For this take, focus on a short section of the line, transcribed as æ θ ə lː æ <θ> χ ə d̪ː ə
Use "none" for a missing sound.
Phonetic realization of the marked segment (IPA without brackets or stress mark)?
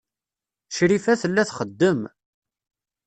θ